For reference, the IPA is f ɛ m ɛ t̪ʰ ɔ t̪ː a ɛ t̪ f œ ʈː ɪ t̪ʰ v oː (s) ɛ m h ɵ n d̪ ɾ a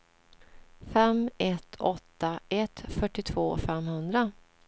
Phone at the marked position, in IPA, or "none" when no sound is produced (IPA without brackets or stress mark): f